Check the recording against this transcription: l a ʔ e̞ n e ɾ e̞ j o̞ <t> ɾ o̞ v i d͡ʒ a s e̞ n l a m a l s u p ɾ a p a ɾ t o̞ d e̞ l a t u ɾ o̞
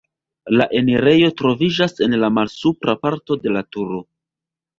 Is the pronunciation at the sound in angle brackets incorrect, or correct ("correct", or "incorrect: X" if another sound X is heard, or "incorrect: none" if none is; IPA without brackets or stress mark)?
correct